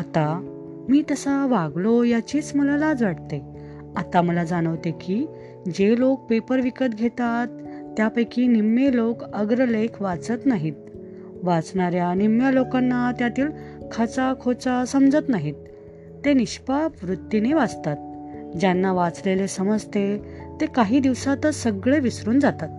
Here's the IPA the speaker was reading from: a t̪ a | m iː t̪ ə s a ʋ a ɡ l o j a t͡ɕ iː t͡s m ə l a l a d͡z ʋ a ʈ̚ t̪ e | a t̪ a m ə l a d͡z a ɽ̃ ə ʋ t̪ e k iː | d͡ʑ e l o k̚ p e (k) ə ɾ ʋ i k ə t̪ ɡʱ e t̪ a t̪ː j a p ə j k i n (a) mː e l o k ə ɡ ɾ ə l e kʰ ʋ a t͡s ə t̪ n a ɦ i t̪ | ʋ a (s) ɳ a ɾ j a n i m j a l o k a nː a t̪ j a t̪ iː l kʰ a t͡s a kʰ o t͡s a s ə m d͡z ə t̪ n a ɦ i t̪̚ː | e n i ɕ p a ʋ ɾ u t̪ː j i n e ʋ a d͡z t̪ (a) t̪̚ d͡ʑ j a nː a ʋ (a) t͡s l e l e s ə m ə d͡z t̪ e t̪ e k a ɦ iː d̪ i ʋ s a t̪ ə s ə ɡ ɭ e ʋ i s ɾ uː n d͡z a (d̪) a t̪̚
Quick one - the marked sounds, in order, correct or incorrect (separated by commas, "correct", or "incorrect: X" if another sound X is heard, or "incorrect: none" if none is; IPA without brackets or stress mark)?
incorrect: p, incorrect: i, incorrect: t͡s, correct, correct, incorrect: t̪